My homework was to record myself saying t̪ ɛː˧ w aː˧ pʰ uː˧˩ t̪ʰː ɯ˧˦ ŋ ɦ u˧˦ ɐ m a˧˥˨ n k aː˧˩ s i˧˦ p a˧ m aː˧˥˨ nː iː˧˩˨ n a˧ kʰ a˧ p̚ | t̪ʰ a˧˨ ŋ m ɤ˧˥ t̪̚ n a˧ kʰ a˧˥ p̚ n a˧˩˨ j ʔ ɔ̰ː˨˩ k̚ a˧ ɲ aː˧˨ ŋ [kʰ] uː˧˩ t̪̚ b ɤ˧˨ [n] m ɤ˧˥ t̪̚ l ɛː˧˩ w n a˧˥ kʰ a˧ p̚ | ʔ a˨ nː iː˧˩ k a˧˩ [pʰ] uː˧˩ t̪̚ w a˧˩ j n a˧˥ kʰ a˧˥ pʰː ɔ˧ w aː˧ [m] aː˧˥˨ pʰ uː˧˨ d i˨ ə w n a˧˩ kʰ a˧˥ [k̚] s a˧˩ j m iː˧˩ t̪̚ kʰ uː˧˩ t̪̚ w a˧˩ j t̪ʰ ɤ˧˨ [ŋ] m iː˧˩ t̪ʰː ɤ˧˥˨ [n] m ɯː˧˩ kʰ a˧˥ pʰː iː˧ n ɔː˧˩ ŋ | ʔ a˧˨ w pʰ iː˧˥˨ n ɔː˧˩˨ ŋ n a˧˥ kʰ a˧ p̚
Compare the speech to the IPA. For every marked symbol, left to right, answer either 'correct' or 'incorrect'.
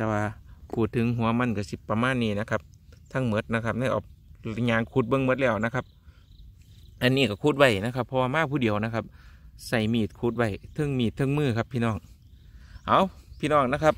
correct, incorrect, incorrect, correct, incorrect, correct, incorrect

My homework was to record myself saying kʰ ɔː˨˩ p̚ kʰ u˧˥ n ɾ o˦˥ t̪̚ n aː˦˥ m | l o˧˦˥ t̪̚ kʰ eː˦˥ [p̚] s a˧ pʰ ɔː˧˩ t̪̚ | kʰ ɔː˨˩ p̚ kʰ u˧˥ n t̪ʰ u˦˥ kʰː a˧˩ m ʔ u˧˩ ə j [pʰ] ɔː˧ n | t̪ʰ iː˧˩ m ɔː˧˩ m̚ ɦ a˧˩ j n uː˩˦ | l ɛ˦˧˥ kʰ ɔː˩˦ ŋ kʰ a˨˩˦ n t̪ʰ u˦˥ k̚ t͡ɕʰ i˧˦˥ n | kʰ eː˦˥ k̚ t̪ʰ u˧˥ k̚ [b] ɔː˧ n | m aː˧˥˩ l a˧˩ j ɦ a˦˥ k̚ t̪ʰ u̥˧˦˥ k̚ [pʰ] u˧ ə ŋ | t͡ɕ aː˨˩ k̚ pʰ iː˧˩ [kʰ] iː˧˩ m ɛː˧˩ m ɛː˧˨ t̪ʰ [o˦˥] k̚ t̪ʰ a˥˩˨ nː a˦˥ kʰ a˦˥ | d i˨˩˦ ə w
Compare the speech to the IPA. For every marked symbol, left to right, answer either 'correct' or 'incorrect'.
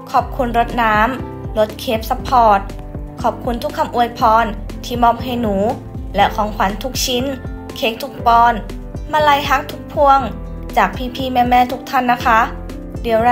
correct, correct, incorrect, correct, incorrect, incorrect

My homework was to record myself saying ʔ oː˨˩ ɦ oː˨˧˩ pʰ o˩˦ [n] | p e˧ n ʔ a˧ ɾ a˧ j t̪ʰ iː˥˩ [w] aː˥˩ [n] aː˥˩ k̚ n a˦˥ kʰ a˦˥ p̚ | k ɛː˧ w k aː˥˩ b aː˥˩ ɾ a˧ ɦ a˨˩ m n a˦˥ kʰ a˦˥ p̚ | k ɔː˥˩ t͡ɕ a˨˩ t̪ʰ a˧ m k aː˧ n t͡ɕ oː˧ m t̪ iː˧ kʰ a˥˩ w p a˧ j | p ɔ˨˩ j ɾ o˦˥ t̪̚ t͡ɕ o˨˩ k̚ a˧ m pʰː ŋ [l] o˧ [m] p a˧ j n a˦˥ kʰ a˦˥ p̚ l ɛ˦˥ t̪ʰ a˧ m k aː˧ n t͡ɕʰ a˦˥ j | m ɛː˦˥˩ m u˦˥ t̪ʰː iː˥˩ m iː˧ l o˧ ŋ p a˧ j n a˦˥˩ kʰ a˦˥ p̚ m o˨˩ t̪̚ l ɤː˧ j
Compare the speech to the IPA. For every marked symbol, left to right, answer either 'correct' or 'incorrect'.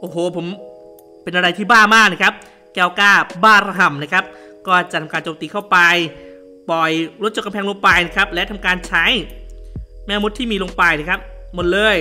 incorrect, incorrect, incorrect, correct, incorrect

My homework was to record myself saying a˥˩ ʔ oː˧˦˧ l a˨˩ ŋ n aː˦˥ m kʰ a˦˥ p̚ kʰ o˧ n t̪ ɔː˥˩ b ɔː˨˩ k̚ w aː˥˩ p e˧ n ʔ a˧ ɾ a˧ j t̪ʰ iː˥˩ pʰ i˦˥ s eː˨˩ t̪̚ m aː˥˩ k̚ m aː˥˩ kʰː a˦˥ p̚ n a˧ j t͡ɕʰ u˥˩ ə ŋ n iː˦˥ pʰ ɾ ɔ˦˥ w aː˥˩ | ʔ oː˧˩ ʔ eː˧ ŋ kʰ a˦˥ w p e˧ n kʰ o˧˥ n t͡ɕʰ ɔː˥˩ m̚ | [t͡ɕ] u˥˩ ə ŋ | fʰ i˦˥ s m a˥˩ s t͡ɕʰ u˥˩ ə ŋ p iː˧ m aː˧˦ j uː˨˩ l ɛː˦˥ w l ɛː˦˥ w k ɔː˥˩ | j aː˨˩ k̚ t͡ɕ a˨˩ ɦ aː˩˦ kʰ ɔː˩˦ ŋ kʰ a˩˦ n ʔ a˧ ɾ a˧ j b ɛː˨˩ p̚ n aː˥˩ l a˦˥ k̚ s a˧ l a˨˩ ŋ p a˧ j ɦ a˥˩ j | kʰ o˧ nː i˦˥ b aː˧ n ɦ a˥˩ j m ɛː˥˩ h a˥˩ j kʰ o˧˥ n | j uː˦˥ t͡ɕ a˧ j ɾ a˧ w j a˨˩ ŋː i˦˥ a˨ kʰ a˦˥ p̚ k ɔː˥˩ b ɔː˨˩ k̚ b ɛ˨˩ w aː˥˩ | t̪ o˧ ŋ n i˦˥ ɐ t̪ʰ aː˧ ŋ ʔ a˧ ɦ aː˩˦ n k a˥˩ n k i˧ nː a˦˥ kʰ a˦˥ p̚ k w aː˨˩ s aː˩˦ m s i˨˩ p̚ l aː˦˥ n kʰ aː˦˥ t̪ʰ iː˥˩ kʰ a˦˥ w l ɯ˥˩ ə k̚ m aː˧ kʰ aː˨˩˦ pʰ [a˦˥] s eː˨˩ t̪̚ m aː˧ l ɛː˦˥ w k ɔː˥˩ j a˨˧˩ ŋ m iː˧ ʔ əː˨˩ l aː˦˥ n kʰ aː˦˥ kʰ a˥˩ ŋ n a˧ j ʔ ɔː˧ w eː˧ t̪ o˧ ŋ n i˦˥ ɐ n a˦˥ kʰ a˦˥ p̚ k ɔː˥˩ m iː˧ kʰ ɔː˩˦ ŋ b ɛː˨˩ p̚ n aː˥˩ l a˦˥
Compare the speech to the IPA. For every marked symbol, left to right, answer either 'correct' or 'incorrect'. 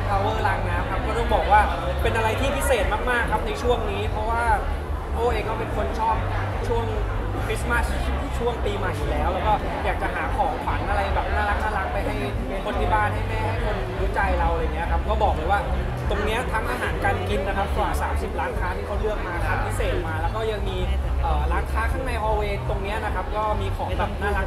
incorrect, incorrect

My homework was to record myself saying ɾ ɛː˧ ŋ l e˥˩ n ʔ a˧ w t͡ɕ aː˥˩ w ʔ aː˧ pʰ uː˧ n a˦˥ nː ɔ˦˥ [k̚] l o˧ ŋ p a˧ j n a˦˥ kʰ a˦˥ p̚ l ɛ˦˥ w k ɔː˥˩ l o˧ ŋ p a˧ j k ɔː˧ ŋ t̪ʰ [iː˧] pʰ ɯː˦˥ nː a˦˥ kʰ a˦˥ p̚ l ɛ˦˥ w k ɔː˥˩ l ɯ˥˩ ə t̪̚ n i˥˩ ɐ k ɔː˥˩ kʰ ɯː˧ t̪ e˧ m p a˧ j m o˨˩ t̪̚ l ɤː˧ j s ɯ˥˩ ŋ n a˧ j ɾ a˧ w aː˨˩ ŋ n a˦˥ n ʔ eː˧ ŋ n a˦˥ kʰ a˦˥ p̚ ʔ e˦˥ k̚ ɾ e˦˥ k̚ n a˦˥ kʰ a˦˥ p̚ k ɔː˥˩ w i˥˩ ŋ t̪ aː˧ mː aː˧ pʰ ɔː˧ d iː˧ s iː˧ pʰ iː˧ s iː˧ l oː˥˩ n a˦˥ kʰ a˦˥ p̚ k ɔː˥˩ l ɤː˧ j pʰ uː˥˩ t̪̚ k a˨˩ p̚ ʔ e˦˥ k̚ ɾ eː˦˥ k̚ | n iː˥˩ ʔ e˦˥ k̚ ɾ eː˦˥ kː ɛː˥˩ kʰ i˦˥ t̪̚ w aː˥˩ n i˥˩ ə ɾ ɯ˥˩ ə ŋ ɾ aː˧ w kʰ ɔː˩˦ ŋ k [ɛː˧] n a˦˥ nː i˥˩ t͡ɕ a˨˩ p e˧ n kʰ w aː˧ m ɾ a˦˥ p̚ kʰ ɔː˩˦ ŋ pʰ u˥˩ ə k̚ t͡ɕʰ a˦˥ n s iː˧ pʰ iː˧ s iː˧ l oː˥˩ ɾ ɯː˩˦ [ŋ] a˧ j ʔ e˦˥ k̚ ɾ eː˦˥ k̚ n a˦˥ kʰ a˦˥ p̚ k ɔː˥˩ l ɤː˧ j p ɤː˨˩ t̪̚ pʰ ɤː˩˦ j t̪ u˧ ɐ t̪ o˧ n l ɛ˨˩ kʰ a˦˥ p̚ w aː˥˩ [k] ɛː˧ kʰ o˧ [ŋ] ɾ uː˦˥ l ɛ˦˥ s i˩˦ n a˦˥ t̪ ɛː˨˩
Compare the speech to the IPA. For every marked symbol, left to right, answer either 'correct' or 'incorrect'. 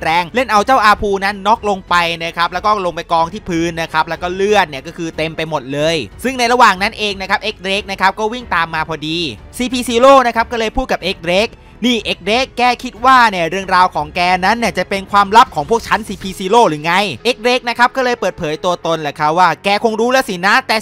correct, incorrect, correct, correct, correct, correct

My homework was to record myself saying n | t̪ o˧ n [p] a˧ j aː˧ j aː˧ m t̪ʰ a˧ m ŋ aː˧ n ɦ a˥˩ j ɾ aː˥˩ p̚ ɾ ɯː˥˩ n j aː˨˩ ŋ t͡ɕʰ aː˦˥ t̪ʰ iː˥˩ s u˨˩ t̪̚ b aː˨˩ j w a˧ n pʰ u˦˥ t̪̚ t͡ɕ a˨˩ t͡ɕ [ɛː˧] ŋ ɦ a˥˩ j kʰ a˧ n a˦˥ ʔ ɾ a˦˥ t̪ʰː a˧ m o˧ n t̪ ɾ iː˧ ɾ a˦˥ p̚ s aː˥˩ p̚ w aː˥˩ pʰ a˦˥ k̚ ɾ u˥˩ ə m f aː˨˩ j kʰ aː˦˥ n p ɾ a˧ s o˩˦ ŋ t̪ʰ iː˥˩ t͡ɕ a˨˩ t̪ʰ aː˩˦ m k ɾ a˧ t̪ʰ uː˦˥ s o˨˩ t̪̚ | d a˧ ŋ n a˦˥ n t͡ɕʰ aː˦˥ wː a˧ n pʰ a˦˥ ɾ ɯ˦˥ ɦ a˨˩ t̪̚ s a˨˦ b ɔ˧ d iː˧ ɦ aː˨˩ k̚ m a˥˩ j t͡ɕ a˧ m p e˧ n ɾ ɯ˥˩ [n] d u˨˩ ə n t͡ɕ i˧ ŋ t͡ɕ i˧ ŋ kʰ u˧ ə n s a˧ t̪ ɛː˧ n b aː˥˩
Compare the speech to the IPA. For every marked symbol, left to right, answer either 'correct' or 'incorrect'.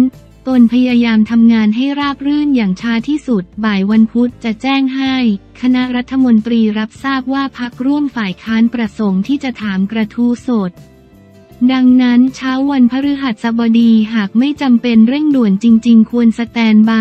incorrect, incorrect, incorrect

